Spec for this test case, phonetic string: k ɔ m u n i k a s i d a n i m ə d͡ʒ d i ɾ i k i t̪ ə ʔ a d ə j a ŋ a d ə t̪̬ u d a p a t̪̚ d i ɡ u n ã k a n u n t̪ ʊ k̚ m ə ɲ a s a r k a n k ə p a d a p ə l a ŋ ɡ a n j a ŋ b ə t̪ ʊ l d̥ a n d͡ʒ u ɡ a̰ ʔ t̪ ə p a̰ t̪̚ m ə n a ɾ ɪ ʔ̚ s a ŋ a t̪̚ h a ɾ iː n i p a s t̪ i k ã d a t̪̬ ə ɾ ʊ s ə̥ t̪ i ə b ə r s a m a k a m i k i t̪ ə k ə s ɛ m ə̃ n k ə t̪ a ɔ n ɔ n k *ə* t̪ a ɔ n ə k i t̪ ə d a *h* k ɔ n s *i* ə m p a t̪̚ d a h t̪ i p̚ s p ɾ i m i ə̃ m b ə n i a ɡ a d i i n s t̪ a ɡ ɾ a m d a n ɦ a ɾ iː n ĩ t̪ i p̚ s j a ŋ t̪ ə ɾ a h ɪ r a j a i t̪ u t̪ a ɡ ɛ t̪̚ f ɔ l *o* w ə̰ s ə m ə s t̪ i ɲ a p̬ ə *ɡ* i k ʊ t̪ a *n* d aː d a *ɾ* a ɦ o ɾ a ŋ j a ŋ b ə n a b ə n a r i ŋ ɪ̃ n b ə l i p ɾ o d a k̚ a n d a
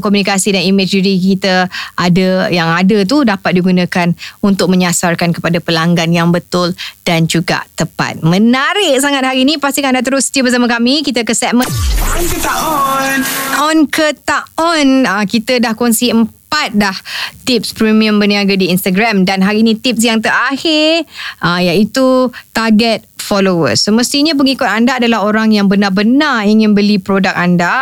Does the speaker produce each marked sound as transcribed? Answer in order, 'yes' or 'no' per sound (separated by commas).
yes, yes, yes, yes, no, yes, no